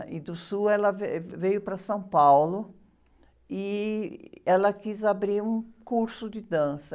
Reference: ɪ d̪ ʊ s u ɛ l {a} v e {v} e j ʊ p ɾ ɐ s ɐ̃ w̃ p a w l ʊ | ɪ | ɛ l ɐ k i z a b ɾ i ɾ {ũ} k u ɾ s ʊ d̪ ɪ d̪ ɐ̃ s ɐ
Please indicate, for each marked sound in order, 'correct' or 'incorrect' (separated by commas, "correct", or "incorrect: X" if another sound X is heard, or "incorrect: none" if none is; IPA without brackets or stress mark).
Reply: incorrect: ɐ, correct, correct